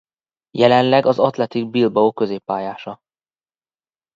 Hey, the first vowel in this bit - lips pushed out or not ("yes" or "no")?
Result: no